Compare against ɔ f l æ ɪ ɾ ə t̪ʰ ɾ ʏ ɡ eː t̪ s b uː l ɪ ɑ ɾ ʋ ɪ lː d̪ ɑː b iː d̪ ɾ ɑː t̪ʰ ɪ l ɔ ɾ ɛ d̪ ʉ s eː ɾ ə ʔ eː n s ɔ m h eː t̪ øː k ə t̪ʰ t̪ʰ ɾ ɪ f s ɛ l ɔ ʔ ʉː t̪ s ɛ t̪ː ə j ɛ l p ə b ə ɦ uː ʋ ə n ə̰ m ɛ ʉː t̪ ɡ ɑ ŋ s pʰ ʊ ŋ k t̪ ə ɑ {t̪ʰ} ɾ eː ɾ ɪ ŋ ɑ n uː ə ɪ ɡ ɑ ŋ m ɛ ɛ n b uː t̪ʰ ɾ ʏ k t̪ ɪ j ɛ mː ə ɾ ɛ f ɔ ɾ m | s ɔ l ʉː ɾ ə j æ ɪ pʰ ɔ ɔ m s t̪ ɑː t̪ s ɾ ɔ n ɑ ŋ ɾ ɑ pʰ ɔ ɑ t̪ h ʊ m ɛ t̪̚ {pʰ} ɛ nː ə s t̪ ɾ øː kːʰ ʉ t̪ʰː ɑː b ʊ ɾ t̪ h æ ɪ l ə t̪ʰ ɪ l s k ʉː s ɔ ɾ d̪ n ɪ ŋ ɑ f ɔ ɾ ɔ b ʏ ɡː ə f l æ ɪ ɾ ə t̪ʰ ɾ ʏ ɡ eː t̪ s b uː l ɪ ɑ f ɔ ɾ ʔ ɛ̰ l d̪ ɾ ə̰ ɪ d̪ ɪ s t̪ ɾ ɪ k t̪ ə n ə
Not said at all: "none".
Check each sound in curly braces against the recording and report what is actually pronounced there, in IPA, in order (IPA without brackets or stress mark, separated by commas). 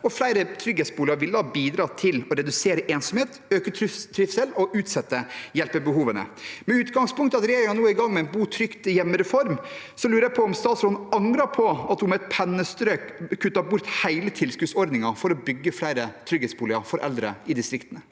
t̪, pʰ